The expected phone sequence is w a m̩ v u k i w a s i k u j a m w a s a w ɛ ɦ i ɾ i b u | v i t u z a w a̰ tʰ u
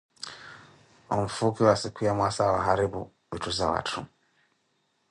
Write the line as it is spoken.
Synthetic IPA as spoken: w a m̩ f u k i w a s i k u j a m w a s a w a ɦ a ɾ i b u | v i t u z a w a̰ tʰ u